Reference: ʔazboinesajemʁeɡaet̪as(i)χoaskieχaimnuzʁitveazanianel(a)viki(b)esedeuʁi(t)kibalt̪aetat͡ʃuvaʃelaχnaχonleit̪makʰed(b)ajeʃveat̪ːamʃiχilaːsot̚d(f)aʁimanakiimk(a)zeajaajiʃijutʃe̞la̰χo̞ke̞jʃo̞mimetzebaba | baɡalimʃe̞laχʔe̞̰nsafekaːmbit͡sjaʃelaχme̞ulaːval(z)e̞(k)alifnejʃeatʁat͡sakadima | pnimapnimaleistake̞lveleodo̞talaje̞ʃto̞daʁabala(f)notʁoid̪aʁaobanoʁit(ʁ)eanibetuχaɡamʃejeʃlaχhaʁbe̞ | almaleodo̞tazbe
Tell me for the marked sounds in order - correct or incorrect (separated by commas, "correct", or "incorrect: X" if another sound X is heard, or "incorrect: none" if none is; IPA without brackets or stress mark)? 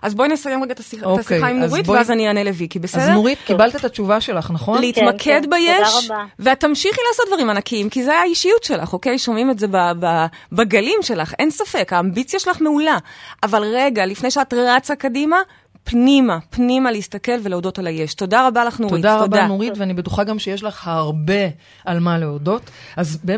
correct, incorrect: e, correct, correct, correct, incorrect: v, incorrect: i, incorrect: ʁ, incorrect: ɡ, incorrect: χ, incorrect: v